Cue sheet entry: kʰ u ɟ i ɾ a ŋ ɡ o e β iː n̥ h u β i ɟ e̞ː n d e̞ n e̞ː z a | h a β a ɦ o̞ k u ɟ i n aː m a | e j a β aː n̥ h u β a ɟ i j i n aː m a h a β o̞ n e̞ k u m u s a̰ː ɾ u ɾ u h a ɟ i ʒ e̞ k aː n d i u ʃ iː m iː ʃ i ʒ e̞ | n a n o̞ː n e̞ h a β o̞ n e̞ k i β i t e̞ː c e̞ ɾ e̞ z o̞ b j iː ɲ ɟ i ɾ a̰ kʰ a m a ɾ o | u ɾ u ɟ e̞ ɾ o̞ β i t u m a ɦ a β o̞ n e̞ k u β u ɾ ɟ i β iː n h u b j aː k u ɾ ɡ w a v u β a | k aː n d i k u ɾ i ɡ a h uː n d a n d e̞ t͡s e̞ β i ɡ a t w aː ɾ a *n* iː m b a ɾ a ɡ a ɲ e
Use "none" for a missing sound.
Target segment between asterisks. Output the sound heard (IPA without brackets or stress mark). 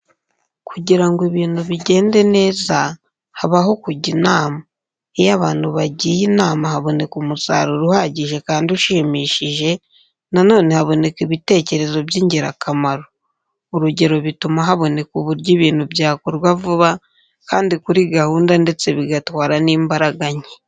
n